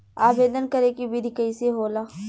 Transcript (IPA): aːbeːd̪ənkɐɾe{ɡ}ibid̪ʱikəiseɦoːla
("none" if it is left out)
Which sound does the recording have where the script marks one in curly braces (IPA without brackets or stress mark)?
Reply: k